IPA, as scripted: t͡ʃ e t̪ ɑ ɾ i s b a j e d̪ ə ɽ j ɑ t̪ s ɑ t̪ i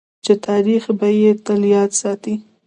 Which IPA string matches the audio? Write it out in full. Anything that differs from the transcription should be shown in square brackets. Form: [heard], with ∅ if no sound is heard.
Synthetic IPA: t͡ʃ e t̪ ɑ ɾ i [x] b a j e [t̪] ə [l] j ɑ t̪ s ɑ t̪ i